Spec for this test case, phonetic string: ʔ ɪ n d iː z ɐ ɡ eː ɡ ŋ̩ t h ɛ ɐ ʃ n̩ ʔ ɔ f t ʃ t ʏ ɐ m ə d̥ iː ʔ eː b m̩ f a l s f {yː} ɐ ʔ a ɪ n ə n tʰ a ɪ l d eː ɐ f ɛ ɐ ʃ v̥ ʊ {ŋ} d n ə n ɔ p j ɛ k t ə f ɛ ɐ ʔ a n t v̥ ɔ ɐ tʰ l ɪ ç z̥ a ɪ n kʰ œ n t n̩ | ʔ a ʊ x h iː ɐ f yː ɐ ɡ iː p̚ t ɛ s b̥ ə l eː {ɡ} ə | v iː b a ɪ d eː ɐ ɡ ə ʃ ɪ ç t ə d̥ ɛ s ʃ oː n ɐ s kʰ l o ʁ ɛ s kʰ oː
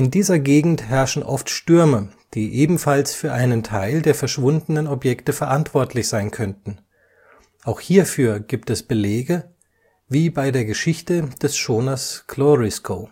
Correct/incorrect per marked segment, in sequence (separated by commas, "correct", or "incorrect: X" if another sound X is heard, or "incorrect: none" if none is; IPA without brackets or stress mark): correct, incorrect: n, correct